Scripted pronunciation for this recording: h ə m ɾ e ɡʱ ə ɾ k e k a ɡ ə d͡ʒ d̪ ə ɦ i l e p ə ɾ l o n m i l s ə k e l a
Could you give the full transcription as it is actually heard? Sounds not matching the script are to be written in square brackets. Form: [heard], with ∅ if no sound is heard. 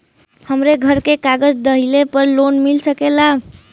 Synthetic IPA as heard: h ə m ɾ e ɡʱ ə ɾ k e k a ɡ ə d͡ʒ d̪ ə ɦ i l e p ə ɾ l o n m i l s ə k e l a